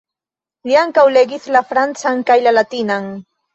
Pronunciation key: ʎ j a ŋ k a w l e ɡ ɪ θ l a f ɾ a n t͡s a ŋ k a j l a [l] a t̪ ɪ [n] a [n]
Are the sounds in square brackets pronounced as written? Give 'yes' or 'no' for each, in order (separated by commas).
yes, yes, no